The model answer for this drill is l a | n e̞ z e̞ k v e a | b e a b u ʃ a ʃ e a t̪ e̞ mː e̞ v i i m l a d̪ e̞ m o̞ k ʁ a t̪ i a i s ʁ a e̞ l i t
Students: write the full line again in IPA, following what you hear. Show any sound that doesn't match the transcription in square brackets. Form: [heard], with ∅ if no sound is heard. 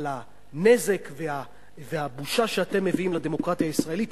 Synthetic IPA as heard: l a | n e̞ z e̞ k v e a | [v] e a b u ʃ a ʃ e a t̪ e̞ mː e̞ v i i m l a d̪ e̞ m o̞ k ʁ a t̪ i a i s ʁ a e̞ l i t